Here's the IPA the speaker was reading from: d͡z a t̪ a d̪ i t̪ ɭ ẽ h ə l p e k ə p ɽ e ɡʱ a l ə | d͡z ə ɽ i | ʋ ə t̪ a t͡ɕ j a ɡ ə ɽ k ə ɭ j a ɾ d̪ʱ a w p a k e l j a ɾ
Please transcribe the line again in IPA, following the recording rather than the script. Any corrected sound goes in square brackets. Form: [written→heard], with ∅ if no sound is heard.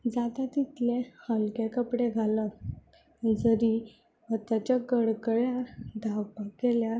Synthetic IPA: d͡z a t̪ a [d̪→t̪] i t̪ [ɭ→l] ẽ h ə l [p→k] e k ə p ɽ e ɡʱ a l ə | d͡z ə [ɽ→ɾ] i | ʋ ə t̪ a t͡ɕ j a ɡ ə ɽ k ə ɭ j a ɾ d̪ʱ a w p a k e l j a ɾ